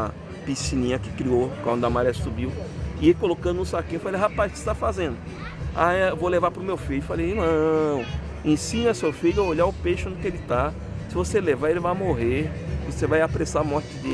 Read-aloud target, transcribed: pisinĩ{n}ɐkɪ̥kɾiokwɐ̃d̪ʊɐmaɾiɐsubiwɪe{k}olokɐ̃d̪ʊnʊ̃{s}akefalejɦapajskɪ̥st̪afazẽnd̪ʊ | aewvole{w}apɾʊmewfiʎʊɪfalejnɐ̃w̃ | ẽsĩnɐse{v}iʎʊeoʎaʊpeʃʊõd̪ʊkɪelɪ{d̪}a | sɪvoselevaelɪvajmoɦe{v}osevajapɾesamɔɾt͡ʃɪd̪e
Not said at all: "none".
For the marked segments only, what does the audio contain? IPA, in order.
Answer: ɲ, k, s, v, f, t̪, v

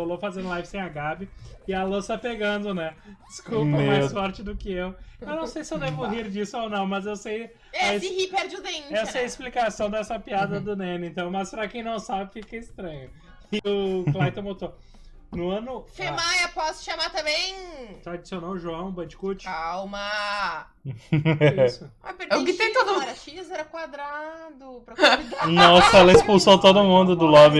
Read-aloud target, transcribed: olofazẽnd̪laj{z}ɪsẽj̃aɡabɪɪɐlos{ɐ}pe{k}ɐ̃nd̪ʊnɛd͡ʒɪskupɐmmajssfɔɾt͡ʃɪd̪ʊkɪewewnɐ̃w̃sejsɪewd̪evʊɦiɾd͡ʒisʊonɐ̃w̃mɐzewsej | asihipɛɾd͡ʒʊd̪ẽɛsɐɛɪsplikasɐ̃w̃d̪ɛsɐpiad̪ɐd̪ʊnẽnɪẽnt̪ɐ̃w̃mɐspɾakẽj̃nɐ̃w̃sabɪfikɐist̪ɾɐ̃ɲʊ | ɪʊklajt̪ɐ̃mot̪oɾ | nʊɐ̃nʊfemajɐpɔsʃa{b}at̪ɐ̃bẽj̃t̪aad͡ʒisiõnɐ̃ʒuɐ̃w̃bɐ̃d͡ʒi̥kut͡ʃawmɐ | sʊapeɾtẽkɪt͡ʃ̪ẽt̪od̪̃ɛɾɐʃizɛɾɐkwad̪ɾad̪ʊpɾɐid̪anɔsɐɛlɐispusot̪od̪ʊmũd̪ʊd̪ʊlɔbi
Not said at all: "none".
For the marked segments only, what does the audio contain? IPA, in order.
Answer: v, ɐ, ɡ, m

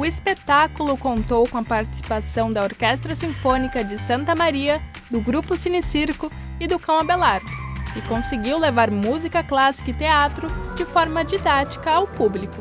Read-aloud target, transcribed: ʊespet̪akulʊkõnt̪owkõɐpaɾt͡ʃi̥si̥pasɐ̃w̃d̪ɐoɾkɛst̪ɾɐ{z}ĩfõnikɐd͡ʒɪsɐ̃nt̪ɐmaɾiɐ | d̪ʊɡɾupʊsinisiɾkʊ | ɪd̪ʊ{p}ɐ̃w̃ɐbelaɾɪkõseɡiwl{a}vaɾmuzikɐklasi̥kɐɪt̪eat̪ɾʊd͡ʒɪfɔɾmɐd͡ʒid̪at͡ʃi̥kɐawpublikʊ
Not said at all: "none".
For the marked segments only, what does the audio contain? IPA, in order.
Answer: s, k, e

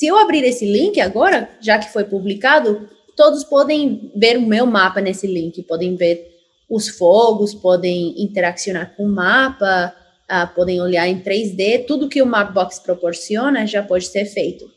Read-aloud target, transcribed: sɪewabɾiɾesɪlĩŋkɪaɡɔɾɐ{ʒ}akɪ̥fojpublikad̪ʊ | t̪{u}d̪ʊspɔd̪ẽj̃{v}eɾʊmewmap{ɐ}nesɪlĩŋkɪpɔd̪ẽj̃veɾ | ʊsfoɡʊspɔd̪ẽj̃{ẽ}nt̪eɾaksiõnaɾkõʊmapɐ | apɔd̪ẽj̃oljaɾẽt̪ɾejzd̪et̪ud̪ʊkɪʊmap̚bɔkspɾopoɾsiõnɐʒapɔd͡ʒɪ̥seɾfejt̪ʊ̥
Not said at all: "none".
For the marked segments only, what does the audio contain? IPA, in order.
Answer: ʒ, o, v, ɐ, ĩ

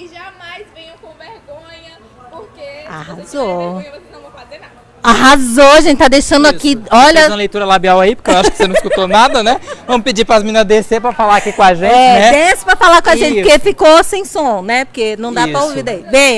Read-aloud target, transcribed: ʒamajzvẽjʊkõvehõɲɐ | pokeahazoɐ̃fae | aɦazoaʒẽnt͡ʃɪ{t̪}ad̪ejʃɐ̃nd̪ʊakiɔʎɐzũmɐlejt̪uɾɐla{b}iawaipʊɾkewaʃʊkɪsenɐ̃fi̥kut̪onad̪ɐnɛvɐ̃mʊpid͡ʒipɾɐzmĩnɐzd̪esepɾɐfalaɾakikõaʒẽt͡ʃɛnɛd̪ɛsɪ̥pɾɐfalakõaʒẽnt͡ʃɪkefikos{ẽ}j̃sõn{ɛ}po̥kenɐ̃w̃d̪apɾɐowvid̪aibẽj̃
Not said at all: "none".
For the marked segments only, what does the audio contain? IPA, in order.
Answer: t̪, b, ẽ, ɛ

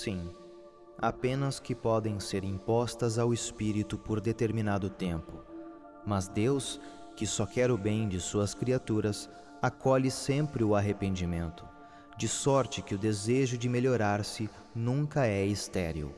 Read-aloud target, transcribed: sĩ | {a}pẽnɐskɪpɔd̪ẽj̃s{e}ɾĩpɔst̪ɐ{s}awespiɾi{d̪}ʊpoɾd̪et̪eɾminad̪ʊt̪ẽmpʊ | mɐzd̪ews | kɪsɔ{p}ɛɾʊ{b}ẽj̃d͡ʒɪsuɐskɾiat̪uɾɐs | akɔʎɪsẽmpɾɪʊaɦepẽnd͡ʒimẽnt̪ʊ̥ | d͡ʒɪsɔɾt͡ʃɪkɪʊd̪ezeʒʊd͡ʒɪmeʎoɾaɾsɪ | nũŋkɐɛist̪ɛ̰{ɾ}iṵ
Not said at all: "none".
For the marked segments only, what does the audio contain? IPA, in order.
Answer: a, e, z, t̪, k, b, ɾ

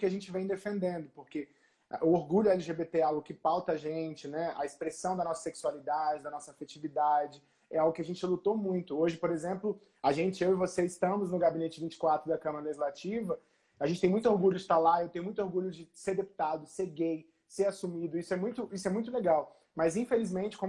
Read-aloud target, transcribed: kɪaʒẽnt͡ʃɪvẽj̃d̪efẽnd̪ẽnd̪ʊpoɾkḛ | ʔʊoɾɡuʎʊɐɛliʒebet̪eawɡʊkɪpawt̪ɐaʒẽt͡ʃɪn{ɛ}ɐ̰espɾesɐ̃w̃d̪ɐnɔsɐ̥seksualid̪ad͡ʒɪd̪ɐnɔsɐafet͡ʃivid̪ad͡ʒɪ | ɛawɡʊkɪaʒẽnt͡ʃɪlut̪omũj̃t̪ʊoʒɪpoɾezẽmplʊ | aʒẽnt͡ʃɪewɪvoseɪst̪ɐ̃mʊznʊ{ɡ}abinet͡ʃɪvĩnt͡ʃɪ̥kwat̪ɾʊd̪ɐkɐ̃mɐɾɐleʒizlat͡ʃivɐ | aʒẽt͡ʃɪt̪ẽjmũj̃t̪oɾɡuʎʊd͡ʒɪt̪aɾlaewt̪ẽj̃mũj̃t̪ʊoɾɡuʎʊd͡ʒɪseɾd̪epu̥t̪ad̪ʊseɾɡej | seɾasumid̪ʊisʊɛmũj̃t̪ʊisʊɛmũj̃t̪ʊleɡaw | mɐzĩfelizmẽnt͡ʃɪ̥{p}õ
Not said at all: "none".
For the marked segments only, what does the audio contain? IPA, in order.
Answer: ɛ, ɡ, k

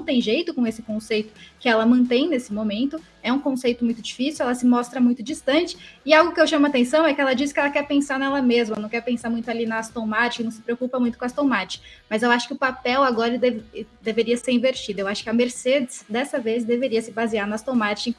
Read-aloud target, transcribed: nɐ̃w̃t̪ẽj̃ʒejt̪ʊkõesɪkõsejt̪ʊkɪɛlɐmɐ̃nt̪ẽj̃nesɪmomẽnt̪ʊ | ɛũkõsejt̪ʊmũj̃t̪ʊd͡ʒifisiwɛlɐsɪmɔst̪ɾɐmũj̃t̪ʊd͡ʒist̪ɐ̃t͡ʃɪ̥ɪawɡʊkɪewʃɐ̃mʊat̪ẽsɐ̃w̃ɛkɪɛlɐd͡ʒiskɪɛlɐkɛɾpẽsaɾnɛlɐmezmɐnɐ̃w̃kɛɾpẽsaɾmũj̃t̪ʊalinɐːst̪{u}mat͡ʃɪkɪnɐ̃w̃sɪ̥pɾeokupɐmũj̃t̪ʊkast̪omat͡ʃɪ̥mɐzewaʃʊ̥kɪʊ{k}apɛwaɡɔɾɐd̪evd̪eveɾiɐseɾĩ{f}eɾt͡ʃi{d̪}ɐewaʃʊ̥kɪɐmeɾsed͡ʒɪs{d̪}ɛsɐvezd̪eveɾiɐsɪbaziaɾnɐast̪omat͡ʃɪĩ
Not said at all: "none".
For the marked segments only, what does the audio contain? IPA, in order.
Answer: o, p, v, d̪, d̪

